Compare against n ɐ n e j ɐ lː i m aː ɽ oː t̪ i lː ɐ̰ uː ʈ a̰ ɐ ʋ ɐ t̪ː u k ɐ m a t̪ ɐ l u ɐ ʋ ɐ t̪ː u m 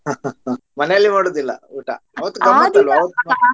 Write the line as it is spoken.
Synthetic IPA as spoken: m ɐ n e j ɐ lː i m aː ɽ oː d̪ i lː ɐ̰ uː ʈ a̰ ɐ ʋ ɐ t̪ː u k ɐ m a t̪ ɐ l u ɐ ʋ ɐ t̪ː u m